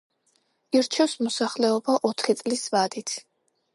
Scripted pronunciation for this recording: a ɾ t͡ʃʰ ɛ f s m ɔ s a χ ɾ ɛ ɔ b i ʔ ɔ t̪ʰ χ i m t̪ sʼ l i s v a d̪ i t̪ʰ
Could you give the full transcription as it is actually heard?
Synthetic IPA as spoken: i ɾ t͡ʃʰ ɛ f s m ɔ s a χ l ɛ ɔ b a ʔ ɔ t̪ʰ χ i t̪ sʼ l i s v a d̪ i t̪ʰ